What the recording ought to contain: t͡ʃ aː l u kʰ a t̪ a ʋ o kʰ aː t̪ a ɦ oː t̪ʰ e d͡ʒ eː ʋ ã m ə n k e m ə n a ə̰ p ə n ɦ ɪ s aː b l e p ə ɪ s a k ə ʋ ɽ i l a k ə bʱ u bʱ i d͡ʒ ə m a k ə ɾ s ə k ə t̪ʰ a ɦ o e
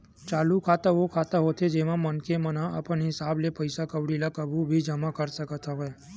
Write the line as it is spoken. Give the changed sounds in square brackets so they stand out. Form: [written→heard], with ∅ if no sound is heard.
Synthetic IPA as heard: t͡ʃ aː l u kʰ a t̪ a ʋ o kʰ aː t̪ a ɦ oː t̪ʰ e d͡ʒ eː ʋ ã m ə n k e m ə n a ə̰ p ə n ɦ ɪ s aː b l e p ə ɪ s a k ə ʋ ɽ i l a k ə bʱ u bʱ i d͡ʒ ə m a k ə ɾ s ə k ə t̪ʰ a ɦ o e